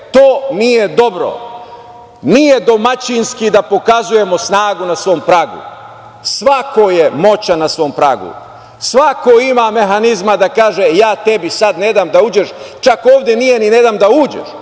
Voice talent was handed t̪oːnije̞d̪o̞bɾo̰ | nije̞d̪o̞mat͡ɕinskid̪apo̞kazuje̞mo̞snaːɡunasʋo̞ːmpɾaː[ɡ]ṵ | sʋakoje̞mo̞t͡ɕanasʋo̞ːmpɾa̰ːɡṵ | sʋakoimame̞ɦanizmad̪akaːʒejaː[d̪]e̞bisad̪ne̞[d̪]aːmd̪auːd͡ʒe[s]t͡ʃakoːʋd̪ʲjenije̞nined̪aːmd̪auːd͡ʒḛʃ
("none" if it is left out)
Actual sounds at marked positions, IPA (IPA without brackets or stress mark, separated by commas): ɡ, t̪, d̪, ʃ